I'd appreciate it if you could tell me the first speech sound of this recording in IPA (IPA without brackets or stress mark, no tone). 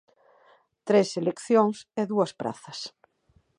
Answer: t̪